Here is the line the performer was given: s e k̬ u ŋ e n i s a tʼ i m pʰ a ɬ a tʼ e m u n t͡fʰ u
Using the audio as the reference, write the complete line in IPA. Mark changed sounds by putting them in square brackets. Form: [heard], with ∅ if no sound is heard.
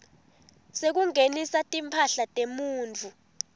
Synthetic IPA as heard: s e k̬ u ŋ e n i s a tʼ i m pʰ a ɬ a tʼ e m [uː] n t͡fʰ u